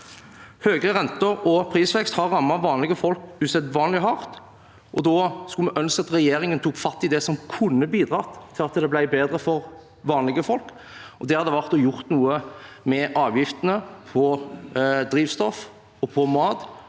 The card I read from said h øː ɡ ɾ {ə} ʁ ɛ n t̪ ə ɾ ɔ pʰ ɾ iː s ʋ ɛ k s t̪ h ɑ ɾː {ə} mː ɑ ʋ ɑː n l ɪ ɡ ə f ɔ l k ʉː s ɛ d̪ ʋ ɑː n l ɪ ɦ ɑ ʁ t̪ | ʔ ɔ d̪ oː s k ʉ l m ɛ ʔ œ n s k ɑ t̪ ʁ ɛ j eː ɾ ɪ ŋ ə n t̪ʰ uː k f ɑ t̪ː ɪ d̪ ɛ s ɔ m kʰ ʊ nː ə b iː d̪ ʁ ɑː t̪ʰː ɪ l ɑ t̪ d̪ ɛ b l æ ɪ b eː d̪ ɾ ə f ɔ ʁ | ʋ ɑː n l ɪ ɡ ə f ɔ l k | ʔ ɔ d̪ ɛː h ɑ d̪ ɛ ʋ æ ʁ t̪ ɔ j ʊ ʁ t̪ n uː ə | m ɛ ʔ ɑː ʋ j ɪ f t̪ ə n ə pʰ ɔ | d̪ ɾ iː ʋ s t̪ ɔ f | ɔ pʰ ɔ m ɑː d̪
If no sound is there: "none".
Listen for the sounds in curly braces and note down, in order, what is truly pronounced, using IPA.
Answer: ə, ɑ

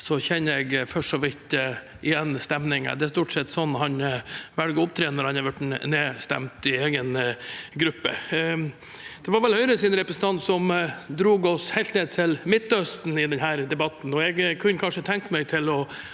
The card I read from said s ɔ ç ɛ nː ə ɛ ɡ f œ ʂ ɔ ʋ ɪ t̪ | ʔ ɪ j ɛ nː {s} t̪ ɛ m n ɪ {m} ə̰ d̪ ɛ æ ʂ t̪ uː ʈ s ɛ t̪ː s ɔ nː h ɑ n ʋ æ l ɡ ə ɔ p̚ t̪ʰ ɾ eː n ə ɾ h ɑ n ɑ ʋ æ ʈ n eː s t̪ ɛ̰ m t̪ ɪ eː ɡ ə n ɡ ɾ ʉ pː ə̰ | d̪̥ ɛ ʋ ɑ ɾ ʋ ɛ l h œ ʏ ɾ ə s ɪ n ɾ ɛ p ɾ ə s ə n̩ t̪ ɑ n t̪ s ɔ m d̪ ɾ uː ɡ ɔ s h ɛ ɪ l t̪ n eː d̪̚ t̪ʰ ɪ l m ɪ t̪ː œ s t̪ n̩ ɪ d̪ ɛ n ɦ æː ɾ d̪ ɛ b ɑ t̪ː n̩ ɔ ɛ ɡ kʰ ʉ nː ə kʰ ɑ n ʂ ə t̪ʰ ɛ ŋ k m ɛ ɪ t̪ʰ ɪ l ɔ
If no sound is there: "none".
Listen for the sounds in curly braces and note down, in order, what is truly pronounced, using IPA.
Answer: s, ŋ

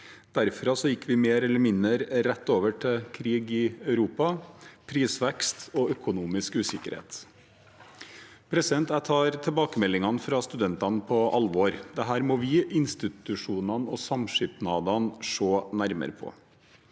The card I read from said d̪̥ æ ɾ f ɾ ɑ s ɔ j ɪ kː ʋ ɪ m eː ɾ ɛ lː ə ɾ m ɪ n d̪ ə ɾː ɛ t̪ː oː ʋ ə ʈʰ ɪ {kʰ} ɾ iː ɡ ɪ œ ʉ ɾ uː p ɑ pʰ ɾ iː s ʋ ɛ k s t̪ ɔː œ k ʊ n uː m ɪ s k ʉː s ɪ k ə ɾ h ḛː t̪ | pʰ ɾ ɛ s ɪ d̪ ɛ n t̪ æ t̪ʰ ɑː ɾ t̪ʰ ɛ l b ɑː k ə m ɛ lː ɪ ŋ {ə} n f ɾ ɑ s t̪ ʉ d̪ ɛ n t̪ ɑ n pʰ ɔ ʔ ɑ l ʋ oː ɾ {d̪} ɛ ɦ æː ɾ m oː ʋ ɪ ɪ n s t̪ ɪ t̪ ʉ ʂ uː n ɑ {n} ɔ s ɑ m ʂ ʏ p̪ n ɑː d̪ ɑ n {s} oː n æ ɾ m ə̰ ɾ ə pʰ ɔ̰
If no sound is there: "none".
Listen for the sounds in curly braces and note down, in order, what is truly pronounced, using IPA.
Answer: kʰ, ɑ, d̪, n, ʂ

